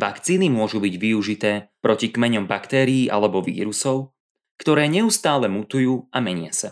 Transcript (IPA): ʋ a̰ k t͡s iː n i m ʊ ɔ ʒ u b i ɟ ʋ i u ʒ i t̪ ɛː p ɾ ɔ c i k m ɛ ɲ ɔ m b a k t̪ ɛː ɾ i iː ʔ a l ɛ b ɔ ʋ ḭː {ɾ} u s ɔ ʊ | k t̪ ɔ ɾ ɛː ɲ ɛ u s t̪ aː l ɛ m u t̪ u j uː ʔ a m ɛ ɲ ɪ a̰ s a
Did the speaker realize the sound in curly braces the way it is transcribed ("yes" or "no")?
yes